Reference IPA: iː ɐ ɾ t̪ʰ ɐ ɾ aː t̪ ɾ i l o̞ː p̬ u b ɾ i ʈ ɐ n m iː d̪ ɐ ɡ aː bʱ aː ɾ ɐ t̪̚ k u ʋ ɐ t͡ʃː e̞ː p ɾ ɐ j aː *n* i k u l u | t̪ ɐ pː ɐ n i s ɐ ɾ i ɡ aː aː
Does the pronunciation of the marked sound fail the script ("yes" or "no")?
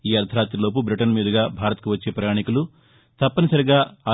yes